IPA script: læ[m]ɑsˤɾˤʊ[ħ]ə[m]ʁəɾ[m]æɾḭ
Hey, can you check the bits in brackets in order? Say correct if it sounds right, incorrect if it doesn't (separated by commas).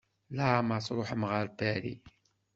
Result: correct, correct, correct, incorrect